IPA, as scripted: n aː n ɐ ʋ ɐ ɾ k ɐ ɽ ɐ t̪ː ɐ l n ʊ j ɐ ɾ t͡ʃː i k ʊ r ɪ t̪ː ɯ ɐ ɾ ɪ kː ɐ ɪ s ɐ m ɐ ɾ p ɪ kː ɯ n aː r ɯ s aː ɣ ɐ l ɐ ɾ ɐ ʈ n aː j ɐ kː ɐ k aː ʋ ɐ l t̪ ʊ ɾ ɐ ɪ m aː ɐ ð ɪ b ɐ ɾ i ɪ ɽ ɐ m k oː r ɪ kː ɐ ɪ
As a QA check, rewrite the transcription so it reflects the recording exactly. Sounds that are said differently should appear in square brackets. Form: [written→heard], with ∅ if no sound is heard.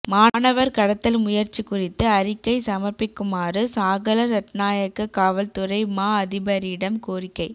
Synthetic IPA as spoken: [n→m] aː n ɐ ʋ ɐ ɾ k ɐ ɽ ɐ t̪ː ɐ l [n→m] ʊ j ɐ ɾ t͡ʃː i k ʊ r ɪ t̪ː ɯ ɐ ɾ ɪ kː ɐ ɪ s ɐ m ɐ ɾ p ɪ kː ɯ [n→m] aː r ɯ s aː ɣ ɐ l ɐ ɾ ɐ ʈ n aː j ɐ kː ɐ k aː ʋ ɐ l t̪ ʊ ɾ ɐ ɪ m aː ɐ ð ɪ b ɐ ɾ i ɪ ɽ ɐ m k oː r ɪ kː ɐ ɪ

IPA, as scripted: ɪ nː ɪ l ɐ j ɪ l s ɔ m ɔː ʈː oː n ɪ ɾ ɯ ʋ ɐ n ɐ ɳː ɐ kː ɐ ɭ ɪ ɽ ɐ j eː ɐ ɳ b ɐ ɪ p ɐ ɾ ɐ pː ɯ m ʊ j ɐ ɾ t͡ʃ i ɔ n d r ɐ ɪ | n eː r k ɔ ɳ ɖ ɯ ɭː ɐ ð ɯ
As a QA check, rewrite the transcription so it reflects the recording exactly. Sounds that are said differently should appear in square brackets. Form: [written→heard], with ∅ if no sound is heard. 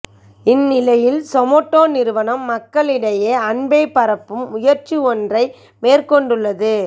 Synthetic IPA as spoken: ɪ nː ɪ l ɐ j ɪ l s ɔ m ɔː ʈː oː n ɪ ɾ ɯ ʋ ɐ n ɐ [ɳː→mː] ɐ kː ɐ ɭ ɪ ɽ ɐ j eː ɐ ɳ b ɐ ɪ p ɐ ɾ ɐ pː ɯ m ʊ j ɐ ɾ t͡ʃ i ɔ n d r ɐ ɪ | [n→m] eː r k ɔ ɳ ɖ ɯ ɭː ɐ ð ɯ

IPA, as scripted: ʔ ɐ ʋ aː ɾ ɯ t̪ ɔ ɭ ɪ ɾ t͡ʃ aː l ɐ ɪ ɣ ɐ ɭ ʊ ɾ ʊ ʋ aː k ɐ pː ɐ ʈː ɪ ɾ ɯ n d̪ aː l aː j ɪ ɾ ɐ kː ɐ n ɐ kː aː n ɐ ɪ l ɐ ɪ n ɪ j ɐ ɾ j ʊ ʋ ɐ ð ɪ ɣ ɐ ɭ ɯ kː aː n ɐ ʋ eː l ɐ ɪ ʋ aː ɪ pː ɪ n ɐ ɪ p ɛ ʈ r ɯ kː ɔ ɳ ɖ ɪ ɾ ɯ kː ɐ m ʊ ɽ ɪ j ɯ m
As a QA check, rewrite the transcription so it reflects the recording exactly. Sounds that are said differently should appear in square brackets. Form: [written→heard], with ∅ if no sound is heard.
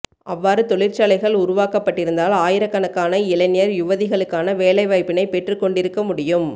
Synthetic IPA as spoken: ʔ ɐ [ʋ→ʋː] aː ɾ ɯ t̪ ɔ ɭ ɪ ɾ t͡ʃ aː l ɐ ɪ ɣ ɐ ɭ ʊ ɾ ʊ ʋ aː k ɐ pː ɐ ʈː ɪ ɾ ɯ n d̪ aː l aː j ɪ ɾ ɐ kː ɐ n ɐ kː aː n ɐ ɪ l ɐ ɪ n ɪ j ɐ ɾ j ʊ ʋ ɐ ð ɪ ɣ ɐ ɭ ɯ kː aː n ɐ ʋ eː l ɐ ɪ ʋ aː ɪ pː ɪ n ɐ ɪ p ɛ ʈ r ɯ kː ɔ ɳ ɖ ɪ ɾ ɯ kː ɐ m ʊ ɽ ɪ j ɯ m

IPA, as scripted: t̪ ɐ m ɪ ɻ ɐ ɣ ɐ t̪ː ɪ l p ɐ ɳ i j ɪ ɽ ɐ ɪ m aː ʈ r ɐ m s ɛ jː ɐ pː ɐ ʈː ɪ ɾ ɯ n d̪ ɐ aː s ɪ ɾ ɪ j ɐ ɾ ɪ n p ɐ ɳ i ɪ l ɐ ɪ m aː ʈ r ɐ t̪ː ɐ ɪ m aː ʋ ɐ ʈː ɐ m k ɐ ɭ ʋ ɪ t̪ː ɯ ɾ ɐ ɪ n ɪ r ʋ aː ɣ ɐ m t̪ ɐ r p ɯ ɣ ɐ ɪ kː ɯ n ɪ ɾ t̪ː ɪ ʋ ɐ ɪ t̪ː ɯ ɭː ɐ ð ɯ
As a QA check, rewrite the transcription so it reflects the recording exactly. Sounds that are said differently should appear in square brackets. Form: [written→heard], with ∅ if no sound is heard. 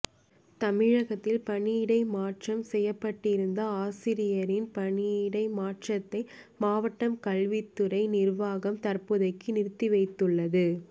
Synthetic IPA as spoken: t̪ ɐ m ɪ ɻ ɐ ɣ ɐ t̪ː ɪ l p ɐ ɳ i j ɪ ɽ ɐ ɪ m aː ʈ r ɐ m s ɛ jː ɐ pː ɐ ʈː ɪ ɾ ɯ n d̪ ɐ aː s ɪ ɾ ɪ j ɐ ɾ ɪ n p ɐ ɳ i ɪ [l→ɽ] ɐ ɪ m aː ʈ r ɐ t̪ː ɐ ɪ m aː ʋ ɐ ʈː ɐ m k ɐ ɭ ʋ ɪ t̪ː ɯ ɾ ɐ ɪ n ɪ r ʋ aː ɣ ɐ m t̪ ɐ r p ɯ [ɣ→ð] ɐ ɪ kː ɯ n ɪ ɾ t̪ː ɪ ʋ ɐ ɪ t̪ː ɯ ɭː ɐ ð ɯ

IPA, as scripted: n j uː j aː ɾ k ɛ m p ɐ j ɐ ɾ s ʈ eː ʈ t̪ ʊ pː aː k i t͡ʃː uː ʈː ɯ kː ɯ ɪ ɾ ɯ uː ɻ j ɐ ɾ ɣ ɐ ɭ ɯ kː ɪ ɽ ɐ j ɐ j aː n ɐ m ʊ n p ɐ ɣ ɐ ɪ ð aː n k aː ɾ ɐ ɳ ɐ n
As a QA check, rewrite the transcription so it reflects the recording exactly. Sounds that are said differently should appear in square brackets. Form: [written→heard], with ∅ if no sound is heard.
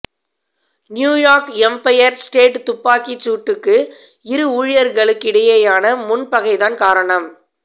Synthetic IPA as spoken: n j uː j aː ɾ k ɛ m p ɐ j ɐ ɾ s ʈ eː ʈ t̪ ʊ pː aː k i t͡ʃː uː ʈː ɯ kː ɯ ɪ ɾ ɯ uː ɻ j ɐ ɾ ɣ ɐ ɭ ɯ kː ɪ ɽ ɐ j ɐ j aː n ɐ m ʊ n p ɐ ɣ ɐ ɪ ð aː n k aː ɾ ɐ ɳ ɐ [n→m]

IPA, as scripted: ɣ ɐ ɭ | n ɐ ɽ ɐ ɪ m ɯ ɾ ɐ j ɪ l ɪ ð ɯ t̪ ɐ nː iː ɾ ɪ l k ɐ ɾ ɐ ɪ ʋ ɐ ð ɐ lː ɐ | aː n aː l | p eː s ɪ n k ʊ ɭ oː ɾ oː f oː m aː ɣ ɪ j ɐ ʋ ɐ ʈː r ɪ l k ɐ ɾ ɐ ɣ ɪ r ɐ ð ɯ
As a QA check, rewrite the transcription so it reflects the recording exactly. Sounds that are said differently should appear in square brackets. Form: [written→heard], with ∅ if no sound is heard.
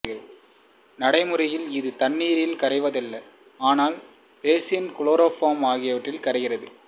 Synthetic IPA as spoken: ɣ ɐ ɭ | n ɐ ɽ ɐ ɪ m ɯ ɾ ɐ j ɪ l ɪ ð ɯ t̪ ɐ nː iː ɾ ɪ l k ɐ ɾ ɐ ɪ ʋ ɐ ð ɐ lː ɐ | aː n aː l | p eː s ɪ n k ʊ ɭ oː ɾ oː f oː m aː ɣ ɪ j ɐ ʋ ɐ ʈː r ɪ l k ɐ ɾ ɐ ɣ ɪ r ɐ ð ɯ

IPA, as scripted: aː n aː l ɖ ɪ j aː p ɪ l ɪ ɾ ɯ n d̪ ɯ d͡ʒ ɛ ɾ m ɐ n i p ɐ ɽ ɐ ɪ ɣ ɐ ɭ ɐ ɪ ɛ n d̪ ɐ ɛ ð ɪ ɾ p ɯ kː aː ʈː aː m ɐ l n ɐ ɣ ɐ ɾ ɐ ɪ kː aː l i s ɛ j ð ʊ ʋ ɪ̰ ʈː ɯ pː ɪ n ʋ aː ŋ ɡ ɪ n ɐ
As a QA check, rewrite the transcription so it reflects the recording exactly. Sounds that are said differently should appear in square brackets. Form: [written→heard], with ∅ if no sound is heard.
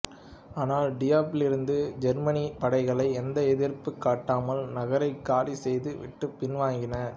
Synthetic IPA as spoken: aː n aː l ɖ ɪ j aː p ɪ l ɪ ɾ ɯ n d̪ ɯ d͡ʒ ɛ ɾ m ɐ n i p ɐ ɽ ɐ ɪ ɣ ɐ ɭ ɐ ɪ ɛ n d̪ ɐ ɛ ð ɪ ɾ p ɯ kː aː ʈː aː m ɐ l n ɐ ɣ ɐ ɾ ɐ ɪ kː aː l i s ɛ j ð [ʊ→ɯ] ʋ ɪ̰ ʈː ɯ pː ɪ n ʋ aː ŋ ɡ ɪ n ɐ

